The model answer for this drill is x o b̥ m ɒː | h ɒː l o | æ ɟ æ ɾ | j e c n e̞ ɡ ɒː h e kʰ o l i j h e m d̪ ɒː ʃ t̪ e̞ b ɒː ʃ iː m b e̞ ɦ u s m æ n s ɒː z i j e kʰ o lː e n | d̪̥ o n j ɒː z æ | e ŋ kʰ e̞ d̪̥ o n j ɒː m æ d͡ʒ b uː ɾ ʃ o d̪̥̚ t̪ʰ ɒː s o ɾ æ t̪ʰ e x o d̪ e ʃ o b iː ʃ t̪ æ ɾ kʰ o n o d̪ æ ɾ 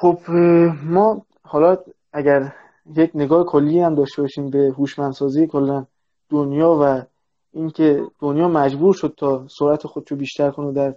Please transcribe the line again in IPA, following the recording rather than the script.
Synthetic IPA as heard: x o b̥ m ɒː | h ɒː l ɒ | æ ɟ æ ɾ | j e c n e̞ ɡ ɒː h e kʰ o lː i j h æ m d̪ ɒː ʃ t̪ e̞ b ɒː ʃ iː m b e̞ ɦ u ʃ m æ n s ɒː z i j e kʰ o lː æ n | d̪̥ o n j ɒː v æ | i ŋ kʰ e̞ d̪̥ o n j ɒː m æ d͡ʒ b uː ɾ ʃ o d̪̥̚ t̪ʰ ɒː s o ɾ æ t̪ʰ e x o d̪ e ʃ o b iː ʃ t̪ æ ɾ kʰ o n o d̪ æ ɾ